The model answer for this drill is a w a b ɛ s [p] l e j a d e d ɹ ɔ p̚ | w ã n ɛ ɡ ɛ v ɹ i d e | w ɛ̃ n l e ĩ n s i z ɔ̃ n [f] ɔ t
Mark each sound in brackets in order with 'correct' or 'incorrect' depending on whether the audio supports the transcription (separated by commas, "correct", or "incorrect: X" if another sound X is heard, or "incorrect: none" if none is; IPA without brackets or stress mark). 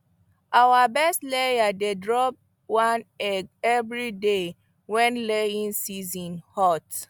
incorrect: t, incorrect: h